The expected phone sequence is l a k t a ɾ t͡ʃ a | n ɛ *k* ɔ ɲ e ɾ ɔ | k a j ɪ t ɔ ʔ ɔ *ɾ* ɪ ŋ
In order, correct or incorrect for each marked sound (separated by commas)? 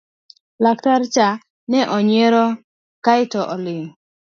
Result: incorrect, incorrect